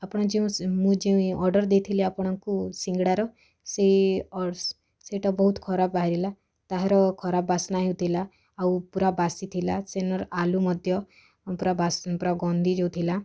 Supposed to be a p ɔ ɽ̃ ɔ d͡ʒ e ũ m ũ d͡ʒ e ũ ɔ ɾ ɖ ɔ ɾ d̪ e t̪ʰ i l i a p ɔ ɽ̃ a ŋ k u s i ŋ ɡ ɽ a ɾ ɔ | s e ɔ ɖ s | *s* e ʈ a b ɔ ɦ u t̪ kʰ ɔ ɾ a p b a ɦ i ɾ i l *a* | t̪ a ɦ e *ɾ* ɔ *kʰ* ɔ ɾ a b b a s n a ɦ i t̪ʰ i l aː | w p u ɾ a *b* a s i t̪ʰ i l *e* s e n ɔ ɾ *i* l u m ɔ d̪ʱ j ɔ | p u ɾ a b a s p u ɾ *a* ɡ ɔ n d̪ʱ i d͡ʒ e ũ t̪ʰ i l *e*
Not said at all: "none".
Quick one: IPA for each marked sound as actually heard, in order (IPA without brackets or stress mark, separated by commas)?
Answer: s, a, ɾ, kʰ, b, a, a, a, a